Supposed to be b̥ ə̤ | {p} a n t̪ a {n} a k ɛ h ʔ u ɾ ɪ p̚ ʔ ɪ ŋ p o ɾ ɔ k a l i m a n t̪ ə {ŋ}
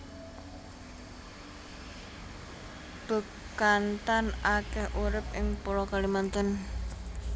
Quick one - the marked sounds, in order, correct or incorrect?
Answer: incorrect: k, correct, incorrect: n

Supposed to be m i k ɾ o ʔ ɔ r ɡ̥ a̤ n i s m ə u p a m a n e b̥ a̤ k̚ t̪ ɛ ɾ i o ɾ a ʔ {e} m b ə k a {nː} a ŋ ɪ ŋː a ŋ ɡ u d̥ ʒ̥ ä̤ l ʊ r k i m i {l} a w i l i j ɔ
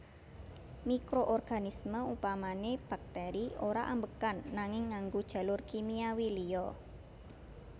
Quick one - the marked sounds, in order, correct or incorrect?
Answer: incorrect: a, correct, incorrect: none

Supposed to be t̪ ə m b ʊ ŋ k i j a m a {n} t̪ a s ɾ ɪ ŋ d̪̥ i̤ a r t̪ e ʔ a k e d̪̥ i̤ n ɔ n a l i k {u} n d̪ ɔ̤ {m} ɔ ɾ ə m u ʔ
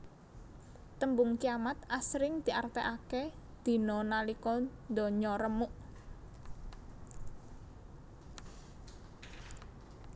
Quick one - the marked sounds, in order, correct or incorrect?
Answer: incorrect: none, incorrect: ɔ, incorrect: ɲ

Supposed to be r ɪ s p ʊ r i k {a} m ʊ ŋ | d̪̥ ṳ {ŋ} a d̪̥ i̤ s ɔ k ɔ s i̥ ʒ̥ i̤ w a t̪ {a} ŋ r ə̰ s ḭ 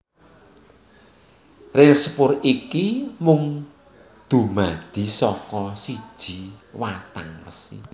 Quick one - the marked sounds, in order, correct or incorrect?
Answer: incorrect: i, incorrect: m, correct

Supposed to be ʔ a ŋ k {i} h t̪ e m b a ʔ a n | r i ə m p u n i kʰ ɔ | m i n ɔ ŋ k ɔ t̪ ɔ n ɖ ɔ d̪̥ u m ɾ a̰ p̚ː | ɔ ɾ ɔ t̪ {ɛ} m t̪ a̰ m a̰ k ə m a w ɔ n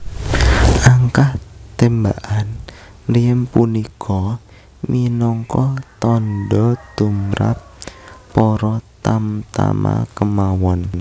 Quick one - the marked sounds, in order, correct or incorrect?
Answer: incorrect: a, incorrect: a

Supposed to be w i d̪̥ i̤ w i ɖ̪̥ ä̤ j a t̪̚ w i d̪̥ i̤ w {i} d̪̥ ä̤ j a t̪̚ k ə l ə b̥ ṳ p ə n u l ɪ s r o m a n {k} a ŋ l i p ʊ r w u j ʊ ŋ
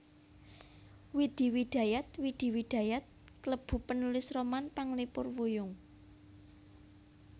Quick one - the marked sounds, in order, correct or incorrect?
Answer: correct, incorrect: p

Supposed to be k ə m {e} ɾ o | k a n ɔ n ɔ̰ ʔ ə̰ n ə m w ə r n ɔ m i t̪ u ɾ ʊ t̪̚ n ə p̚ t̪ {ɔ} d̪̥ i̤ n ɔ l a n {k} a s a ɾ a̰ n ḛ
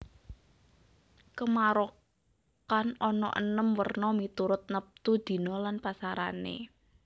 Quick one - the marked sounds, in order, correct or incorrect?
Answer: incorrect: a, incorrect: u, incorrect: p

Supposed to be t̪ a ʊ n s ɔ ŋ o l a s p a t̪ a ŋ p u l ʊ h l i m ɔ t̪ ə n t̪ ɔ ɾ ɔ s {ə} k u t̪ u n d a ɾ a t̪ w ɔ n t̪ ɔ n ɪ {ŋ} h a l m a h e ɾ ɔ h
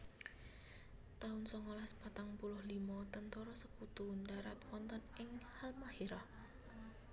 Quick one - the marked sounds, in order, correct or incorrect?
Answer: correct, correct

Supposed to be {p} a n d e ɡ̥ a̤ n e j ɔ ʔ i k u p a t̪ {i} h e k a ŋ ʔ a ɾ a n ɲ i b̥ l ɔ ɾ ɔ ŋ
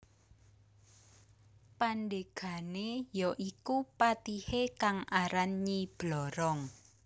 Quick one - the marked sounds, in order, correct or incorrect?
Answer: correct, correct

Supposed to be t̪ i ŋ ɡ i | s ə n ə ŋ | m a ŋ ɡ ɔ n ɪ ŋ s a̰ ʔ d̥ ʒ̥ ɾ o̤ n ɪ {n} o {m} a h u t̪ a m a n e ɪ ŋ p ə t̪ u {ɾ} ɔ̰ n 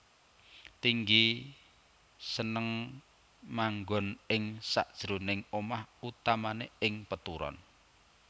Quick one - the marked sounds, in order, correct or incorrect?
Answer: incorrect: ŋ, correct, correct

